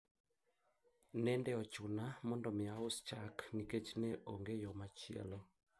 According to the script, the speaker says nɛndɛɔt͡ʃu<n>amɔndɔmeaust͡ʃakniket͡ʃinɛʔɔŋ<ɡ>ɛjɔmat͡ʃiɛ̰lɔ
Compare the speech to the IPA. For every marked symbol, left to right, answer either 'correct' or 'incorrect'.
correct, correct

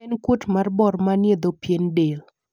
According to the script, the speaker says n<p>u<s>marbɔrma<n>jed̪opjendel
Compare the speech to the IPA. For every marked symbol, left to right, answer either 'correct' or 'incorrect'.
incorrect, incorrect, correct

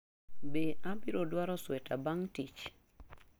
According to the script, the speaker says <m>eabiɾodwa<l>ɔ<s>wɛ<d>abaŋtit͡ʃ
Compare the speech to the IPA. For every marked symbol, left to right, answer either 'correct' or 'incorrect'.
incorrect, incorrect, correct, incorrect

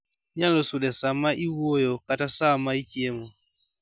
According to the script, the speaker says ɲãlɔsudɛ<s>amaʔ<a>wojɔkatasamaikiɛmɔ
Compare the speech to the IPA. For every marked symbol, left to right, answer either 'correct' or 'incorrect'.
correct, incorrect

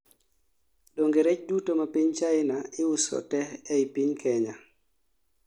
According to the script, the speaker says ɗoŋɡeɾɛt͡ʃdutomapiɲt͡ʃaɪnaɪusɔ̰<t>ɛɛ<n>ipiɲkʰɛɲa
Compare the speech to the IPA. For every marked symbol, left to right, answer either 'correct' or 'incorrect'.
correct, incorrect

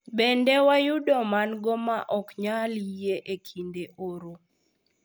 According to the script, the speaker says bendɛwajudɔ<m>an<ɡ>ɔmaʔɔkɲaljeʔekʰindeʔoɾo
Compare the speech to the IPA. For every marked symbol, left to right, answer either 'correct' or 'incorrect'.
correct, correct

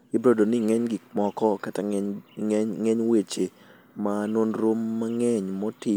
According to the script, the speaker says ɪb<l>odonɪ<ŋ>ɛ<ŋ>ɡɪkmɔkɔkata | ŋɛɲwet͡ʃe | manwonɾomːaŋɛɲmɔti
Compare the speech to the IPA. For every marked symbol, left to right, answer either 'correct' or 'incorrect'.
incorrect, correct, incorrect

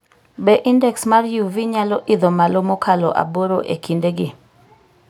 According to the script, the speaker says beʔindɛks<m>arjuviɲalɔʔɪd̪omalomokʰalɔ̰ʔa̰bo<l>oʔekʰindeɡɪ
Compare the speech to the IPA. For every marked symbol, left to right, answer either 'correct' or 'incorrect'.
correct, incorrect

